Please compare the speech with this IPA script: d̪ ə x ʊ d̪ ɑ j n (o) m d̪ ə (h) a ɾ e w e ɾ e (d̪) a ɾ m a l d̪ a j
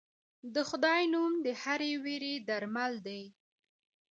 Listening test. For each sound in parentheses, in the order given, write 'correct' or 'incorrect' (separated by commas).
incorrect, correct, correct